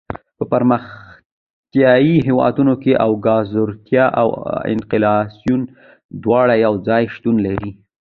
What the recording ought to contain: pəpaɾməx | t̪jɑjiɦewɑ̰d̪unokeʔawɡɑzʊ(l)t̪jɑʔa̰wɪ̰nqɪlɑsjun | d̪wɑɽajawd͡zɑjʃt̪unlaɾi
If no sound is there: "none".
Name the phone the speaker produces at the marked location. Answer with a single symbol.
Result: ɾ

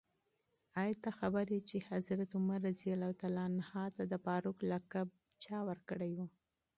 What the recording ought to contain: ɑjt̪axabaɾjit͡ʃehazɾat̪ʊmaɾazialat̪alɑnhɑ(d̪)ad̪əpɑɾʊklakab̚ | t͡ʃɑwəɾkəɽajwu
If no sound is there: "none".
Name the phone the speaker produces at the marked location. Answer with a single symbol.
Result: t̪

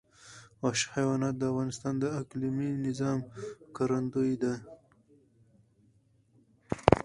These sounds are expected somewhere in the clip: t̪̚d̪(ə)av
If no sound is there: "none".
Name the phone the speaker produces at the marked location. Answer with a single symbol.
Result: ə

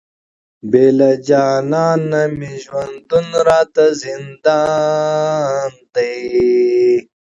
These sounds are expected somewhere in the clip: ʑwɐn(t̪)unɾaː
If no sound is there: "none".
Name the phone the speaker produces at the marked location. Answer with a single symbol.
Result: d̪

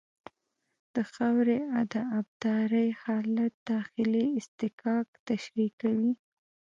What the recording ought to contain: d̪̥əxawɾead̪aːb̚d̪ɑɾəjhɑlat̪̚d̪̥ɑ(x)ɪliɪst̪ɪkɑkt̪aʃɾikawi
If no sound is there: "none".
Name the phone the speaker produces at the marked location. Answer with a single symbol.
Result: x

